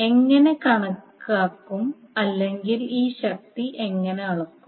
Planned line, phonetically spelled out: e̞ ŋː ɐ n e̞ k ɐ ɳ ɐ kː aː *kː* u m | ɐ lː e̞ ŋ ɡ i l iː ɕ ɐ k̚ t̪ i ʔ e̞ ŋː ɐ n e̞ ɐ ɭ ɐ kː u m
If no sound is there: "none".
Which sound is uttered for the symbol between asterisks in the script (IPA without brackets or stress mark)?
kː